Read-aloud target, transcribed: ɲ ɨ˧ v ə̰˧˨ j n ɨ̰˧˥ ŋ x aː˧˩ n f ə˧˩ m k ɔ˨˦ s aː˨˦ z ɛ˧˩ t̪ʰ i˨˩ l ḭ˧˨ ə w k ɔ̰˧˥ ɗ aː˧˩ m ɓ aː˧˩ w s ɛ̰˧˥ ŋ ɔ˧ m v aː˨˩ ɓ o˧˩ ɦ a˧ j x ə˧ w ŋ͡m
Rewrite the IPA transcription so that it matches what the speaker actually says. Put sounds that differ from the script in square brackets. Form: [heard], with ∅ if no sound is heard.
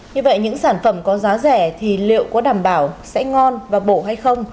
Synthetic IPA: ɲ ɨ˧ v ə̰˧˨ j [ɲ] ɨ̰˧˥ ŋ [s] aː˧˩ n f ə˧˩ m k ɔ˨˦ [z] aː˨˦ z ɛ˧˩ t̪ʰ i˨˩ l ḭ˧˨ ə w k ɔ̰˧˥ ɗ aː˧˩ m ɓ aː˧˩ w s ɛ̰˧˥ ŋ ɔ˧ [n] v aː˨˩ ɓ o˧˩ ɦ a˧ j x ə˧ w ŋ͡m